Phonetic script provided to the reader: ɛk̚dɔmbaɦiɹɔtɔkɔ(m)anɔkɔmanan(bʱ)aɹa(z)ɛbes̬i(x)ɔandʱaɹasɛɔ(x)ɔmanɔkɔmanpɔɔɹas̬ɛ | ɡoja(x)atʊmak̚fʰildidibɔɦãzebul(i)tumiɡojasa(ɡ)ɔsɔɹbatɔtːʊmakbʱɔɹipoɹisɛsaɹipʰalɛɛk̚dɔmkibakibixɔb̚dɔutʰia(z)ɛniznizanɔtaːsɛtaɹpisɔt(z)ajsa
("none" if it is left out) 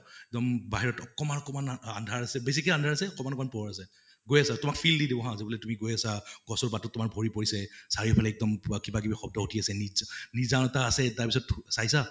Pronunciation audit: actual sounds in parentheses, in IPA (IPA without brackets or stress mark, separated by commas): m, dʱ, s, k, k, s, ɛ, ɡ, s, s